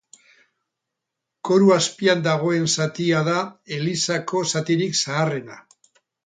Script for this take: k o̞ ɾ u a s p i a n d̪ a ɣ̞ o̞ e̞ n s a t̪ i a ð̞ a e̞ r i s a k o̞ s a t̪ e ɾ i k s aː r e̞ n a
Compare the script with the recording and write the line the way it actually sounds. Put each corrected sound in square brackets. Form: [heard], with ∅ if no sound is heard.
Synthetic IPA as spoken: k o̞ ɾ u a s p i a n d̪ a ɣ̞ o̞ e̞ n s a t̪ i a ð̞ a e̞ [l] i s a k o̞ s a t̪ [i] ɾ i k s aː r e̞ n a